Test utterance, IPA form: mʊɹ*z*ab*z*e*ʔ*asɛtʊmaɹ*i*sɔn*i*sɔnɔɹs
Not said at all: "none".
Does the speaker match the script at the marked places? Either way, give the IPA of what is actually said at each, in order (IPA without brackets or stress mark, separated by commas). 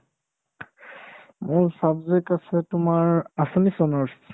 s, z, k, a, i